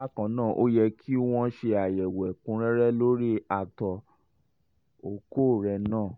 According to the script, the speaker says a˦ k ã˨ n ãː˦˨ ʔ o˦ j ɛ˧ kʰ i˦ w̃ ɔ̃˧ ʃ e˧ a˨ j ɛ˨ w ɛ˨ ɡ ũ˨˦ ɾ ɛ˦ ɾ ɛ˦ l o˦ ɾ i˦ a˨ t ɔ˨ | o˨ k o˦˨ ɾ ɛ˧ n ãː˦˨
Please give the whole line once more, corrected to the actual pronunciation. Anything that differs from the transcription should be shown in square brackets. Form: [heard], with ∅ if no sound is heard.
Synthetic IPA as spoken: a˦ k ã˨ n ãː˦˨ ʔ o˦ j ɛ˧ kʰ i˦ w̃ ɔ̃˧ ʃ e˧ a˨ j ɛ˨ w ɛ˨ [k] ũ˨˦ ɾ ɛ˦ ɾ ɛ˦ l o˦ ɾ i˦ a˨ t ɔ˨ | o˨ k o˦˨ ɾ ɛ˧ n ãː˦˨

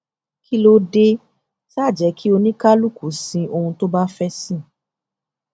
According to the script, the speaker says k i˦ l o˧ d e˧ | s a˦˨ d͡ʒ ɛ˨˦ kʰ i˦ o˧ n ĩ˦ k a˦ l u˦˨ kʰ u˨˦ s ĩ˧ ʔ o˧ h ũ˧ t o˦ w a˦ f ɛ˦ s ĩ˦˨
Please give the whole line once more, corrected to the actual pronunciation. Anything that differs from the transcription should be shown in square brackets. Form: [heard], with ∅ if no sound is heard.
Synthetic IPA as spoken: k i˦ l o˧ d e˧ | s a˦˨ d͡ʒ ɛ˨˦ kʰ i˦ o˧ n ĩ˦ k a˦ l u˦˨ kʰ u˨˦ s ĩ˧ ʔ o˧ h ũ˧ t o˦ [b] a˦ f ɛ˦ s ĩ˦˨

